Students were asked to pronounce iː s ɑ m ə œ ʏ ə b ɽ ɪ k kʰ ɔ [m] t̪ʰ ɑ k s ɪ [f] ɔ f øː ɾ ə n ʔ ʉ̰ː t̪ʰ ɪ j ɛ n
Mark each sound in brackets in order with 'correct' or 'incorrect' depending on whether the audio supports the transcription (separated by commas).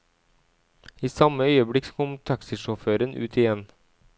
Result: correct, incorrect